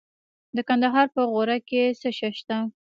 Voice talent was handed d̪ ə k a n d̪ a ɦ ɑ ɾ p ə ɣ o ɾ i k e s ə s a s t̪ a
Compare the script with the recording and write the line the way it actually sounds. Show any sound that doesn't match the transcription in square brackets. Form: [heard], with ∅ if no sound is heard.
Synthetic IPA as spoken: d̪ ə k a n d̪ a ɦ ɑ ɾ p ə ɣ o ɾ [a] k e s ə [ʃ] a [ʃ] t̪ a

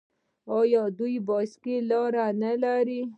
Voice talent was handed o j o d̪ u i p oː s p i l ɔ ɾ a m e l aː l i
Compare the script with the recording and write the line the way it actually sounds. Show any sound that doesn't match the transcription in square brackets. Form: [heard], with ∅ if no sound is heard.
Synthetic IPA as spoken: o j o d̪ u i [b] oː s [k] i l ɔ ɾ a [n] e l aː [ɾ] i

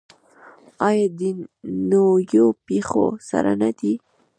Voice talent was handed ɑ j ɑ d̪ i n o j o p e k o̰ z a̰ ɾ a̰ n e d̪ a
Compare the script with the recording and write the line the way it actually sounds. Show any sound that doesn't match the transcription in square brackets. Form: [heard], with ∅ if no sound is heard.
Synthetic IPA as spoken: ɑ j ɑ d̪ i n o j o p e [x] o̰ [s] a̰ ɾ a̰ n [a] d̪ [i]

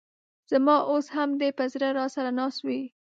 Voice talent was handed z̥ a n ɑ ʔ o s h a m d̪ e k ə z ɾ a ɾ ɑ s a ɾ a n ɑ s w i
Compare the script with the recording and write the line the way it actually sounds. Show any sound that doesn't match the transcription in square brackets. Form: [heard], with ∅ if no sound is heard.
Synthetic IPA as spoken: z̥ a [m] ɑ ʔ o s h a m d̪ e [p] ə z ɾ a ɾ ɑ s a ɾ a n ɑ s w i

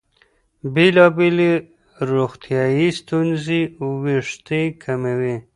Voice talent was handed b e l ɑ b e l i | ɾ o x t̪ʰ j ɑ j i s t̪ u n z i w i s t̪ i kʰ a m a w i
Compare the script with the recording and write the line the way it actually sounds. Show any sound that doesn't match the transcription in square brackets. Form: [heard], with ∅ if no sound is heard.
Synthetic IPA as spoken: b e l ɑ b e l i | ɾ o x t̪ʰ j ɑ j i s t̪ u n z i w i [ʂ] t̪ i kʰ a m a w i

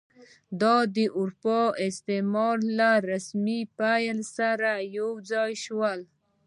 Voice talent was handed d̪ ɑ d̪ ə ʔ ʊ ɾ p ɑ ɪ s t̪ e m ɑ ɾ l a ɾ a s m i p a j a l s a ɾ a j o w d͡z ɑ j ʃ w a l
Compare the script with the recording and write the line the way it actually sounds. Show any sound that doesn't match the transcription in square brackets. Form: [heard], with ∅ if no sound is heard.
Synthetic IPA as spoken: d̪ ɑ d̪ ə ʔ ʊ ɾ p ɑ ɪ s t̪ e m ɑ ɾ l a ɾ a s m i p a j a l s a ɾ a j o w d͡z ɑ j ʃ w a l

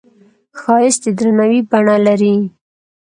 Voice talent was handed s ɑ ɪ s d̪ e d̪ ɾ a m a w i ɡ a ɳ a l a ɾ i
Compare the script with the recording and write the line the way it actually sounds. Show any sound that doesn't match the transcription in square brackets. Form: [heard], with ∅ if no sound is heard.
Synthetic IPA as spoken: [x] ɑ ɪ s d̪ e d̪ ɾ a [n] a w i [b] a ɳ a l a ɾ i

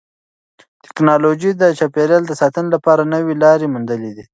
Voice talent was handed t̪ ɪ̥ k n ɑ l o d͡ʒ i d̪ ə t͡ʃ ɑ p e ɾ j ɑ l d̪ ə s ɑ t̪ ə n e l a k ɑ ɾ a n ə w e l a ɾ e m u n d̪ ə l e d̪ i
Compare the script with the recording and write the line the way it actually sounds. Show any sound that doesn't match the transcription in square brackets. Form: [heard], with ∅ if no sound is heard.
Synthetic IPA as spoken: t̪ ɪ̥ k n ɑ l o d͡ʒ i d̪ ə t͡ʃ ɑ p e ɾ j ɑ l d̪ ə s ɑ t̪ ə n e l a [p] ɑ ɾ a n ə w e l [ɑ] ɾ e m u n d̪ ə l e d̪ i

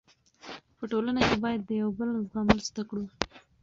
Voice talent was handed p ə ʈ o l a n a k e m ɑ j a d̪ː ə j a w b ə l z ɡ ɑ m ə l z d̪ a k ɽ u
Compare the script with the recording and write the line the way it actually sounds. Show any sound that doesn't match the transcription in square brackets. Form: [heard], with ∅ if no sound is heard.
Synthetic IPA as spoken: p ə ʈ o l a n a k e [b] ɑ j a d̪ː ə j a w b ə l z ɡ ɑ m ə l z d̪ a k ɽ u

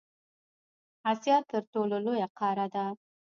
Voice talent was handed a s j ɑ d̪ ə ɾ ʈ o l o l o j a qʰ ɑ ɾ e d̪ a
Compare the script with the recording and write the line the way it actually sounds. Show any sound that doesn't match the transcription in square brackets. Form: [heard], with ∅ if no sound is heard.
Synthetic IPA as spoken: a s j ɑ [t̪] ə ɾ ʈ o l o l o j a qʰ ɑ ɾ [a] d̪ a

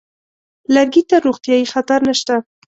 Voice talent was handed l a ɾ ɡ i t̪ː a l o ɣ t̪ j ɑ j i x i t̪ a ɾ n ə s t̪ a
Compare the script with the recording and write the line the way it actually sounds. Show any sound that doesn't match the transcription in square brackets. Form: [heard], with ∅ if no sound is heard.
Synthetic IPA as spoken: l a ɾ ɡ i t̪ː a [ɾ] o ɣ t̪ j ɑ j i x [a] t̪ a ɾ n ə [ʃ] t̪ a

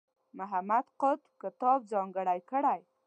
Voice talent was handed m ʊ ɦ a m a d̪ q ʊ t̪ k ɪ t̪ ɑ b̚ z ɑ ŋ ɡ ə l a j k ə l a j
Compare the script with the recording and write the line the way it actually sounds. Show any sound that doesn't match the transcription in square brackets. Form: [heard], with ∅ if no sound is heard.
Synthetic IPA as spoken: m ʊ ɦ a m a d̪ q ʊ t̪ k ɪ t̪ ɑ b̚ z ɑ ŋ ɡ ə [ɽ] a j k ə [ɽ] a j

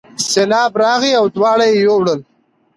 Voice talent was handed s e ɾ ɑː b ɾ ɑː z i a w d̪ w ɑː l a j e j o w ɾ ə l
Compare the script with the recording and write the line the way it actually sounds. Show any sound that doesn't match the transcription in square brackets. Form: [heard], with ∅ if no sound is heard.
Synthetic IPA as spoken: s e [l] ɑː b ɾ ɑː [ɣ] i a w d̪ w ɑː [ɽ] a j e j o w [ɽ] ə l

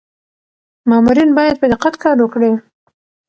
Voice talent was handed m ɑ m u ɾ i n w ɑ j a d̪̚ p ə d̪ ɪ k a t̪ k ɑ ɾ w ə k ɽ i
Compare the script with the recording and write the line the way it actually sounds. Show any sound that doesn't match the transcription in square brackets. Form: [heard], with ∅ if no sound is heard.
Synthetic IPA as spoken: m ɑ m u ɾ i n [b] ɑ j a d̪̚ p ə d̪ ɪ [q] a t̪ k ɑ ɾ w ə k ɽ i

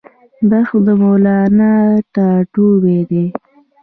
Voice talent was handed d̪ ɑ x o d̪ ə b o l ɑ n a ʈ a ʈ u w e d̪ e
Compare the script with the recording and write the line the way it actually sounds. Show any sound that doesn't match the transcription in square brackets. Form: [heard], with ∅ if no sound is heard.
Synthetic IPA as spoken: d̪ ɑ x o d̪ ə [m] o l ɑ n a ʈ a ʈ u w e d̪ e

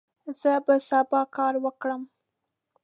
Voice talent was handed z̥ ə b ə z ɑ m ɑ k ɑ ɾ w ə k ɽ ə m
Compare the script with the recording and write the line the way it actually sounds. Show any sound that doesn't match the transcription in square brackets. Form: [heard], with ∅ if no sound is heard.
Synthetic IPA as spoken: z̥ ə b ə [s] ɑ [b] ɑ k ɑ ɾ w ə k ɽ ə m

